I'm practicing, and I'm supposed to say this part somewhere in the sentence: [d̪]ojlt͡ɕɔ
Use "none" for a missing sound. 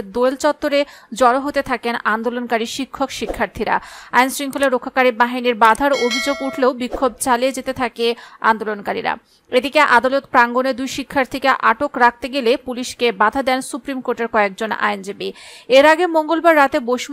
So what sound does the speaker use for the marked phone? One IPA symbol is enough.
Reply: d̪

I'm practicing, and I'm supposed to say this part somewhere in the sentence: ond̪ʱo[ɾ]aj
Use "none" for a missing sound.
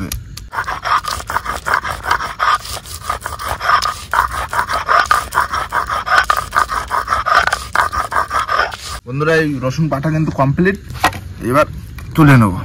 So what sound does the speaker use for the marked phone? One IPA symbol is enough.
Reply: ɾ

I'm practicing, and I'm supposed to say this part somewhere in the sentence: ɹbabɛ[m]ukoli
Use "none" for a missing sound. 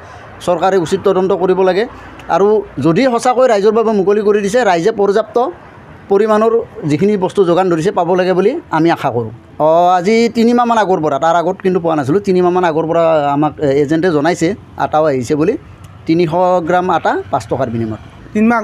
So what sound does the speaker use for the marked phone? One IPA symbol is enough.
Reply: m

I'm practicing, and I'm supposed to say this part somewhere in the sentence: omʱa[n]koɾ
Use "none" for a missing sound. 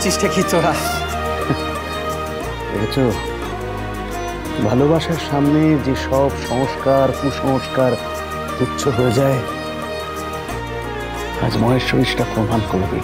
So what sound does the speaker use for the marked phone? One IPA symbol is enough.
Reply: n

